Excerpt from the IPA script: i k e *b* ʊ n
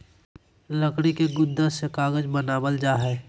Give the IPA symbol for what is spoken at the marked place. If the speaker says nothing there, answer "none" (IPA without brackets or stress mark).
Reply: ɡ